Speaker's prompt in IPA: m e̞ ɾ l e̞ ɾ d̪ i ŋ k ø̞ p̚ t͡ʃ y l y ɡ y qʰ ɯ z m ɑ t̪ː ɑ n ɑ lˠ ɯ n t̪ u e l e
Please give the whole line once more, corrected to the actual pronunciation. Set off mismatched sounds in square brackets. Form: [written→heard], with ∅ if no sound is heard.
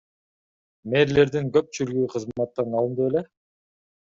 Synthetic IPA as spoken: m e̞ ɾ l e̞ ɾ d̪ i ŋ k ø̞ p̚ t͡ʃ y l y ɡ y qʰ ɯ z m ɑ t̪ː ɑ n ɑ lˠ ɯ n [t̪→d̪] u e l e